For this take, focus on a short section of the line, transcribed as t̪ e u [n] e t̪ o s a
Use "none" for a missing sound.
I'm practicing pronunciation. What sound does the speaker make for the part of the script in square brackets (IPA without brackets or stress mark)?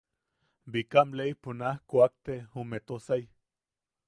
m